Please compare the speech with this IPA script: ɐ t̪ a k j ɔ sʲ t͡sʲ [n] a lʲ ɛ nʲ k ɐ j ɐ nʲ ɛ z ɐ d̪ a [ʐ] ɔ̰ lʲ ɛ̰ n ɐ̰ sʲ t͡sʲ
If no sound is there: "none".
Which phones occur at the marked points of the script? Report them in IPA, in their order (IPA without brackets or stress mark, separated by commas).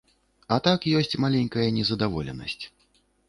m, v